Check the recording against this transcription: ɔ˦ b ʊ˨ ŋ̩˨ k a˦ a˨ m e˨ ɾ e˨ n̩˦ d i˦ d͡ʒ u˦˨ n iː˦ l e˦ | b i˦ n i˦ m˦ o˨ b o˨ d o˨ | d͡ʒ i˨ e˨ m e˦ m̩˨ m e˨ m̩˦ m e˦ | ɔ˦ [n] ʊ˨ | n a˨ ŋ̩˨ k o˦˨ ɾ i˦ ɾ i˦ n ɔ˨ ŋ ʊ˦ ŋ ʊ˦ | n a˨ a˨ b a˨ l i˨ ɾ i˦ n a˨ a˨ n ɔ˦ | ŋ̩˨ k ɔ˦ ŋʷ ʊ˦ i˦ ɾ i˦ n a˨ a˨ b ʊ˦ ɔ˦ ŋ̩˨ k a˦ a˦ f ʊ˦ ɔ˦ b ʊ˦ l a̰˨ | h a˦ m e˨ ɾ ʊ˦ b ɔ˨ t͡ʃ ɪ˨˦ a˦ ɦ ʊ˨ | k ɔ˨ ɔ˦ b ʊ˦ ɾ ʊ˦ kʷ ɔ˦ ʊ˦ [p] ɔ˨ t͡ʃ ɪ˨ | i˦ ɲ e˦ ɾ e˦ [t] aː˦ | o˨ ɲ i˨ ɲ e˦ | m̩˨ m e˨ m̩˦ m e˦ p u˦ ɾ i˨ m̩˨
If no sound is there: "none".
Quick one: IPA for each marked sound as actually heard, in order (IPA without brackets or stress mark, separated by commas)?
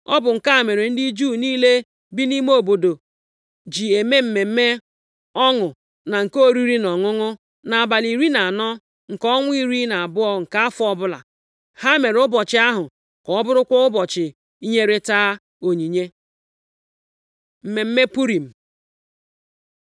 ŋ, b, t